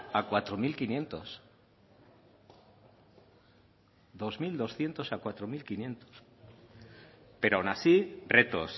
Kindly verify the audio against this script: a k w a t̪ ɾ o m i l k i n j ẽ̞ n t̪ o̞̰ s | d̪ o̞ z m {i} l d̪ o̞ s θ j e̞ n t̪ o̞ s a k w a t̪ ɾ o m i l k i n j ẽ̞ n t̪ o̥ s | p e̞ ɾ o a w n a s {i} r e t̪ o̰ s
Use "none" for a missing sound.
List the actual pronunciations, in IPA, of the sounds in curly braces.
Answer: i, i

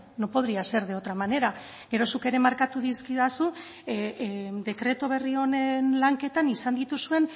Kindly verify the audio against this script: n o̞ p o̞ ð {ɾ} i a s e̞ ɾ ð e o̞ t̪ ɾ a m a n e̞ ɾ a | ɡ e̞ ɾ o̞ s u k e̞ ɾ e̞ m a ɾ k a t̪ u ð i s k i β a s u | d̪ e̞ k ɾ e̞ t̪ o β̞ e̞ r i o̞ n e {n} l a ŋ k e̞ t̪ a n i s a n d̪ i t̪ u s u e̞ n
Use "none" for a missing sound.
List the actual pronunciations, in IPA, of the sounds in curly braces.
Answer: ɾ, n

